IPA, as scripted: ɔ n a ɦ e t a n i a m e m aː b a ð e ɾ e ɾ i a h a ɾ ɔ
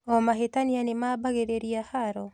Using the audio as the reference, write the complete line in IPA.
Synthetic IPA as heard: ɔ m a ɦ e t a n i a n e m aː b a ɣ e ɾ e ɾ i a h a ɾ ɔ